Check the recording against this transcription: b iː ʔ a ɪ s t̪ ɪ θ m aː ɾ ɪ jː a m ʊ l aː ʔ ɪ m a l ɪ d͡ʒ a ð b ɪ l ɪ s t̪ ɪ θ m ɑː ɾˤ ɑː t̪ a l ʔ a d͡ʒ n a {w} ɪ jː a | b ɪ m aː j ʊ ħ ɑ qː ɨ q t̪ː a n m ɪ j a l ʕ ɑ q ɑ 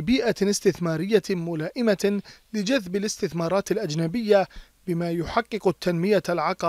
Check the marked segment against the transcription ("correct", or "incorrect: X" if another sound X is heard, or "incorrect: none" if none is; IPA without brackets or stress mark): incorrect: b